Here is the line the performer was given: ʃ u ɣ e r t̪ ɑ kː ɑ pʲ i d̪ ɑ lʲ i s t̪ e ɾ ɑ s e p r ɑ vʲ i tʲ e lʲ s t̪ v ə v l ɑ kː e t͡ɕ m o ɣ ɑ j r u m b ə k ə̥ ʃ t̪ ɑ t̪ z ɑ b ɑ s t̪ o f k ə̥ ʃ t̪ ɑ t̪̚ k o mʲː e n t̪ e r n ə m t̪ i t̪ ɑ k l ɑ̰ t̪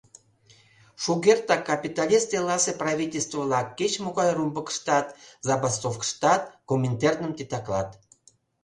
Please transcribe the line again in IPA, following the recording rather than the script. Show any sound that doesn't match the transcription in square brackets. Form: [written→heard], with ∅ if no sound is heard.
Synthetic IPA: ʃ u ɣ e r t̪ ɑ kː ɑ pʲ i [d̪→t̪] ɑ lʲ i s t̪ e [ɾ→l] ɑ s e p r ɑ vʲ i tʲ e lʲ s t̪ v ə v l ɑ kː e t͡ɕ m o ɣ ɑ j r u m b ə k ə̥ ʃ t̪ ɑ t̪ z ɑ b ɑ s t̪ o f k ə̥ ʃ t̪ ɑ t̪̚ k o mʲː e n t̪ e r n ə m t̪ i t̪ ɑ k l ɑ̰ t̪